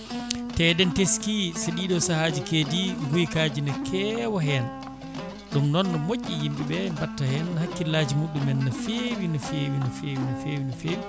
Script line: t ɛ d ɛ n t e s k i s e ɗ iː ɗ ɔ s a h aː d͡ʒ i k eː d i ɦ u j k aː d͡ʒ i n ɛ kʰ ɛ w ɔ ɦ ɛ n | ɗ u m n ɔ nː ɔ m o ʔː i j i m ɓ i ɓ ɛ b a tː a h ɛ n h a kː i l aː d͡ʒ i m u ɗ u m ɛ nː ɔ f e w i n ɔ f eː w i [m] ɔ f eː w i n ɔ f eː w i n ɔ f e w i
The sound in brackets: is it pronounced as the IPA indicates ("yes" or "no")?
no